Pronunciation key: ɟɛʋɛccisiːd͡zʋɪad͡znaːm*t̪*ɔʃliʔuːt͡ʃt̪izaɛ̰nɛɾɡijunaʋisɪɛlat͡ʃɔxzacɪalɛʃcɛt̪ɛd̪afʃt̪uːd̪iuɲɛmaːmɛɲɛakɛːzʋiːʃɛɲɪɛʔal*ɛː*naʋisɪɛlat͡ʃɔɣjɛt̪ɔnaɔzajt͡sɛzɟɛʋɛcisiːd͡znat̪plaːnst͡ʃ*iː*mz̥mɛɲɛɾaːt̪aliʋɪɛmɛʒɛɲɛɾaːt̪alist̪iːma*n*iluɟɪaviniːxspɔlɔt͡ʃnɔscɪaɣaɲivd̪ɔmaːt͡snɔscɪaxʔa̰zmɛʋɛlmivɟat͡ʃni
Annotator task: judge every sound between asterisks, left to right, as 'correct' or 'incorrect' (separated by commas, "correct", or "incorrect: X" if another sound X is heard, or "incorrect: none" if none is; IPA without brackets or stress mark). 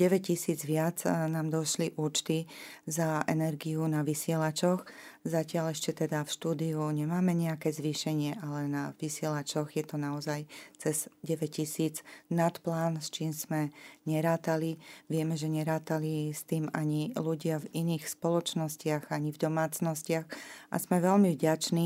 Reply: incorrect: d̪, incorrect: ɛ, correct, incorrect: ɲ